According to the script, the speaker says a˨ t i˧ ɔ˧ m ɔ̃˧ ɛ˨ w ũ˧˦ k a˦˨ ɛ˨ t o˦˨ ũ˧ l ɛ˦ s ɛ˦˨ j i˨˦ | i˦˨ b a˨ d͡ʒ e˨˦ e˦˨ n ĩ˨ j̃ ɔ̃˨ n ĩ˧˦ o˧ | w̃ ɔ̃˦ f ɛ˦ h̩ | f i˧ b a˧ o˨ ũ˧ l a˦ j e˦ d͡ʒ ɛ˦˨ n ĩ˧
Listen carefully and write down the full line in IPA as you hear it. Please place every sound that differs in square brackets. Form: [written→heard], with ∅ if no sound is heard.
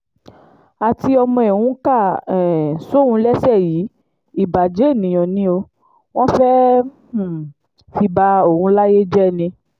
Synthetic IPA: a˨ t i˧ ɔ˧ m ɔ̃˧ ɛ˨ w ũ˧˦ k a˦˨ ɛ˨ [t→s] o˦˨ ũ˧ l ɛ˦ s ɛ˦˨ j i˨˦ | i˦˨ b a˨ d͡ʒ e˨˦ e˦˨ n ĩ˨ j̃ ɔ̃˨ n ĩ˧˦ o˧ | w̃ ɔ̃˦ f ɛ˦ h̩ | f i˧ b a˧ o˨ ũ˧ l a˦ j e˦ d͡ʒ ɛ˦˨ n ĩ˧